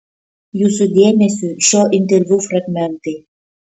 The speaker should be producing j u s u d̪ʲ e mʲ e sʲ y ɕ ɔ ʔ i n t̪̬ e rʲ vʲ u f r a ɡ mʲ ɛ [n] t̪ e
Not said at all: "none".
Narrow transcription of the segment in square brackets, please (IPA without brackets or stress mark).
n